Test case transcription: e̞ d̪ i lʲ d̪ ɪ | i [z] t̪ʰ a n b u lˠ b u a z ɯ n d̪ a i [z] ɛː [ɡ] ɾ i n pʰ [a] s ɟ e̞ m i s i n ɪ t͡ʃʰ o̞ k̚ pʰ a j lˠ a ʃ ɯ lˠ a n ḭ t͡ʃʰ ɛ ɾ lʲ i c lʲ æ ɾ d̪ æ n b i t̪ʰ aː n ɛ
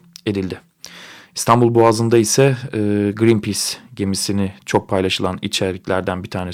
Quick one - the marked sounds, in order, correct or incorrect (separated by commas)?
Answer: incorrect, incorrect, correct, incorrect